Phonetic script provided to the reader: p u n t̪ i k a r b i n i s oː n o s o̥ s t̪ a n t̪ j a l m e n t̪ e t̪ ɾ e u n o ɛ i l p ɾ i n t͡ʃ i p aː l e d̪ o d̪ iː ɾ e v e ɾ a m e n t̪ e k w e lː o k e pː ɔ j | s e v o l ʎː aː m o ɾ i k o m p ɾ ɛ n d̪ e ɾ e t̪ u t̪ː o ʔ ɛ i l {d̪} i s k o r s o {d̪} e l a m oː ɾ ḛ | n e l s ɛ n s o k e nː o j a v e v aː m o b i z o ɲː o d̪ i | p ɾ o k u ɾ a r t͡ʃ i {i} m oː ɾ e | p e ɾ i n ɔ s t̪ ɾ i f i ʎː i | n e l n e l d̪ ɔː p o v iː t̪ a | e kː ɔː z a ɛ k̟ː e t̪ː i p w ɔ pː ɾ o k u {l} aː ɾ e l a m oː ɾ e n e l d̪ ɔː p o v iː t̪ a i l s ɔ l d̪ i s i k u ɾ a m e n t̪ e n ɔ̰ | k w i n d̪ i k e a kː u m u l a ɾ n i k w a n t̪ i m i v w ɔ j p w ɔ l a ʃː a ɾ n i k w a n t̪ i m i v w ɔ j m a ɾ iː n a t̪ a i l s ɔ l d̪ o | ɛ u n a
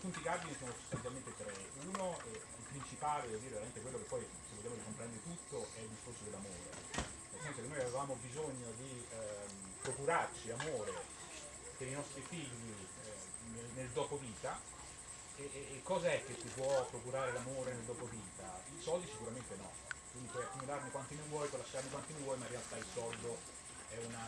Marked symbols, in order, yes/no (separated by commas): yes, yes, no, no